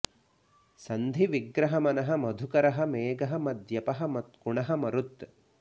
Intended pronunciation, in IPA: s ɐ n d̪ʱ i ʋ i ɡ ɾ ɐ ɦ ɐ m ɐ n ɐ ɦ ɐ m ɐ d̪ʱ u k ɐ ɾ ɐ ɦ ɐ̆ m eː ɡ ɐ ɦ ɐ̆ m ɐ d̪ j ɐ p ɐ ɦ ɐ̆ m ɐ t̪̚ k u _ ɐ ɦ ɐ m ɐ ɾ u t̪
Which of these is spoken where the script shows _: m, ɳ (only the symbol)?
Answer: ɳ